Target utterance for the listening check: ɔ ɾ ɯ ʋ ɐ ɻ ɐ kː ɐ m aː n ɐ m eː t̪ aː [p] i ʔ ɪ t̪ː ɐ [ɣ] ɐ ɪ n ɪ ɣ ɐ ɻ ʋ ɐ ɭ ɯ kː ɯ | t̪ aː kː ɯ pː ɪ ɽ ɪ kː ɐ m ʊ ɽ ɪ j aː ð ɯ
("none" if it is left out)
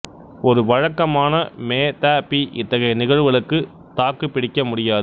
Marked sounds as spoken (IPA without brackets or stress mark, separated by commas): p, ɣ